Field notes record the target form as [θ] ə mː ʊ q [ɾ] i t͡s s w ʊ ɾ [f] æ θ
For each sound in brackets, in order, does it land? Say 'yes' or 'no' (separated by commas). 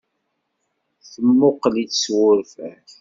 yes, no, yes